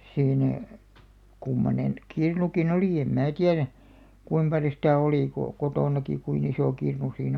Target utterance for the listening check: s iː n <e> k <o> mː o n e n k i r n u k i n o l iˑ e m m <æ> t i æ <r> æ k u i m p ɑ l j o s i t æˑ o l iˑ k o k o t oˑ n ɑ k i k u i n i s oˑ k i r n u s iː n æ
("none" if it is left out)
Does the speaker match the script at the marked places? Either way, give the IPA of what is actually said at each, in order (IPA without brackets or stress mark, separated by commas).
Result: æ, u, æː, r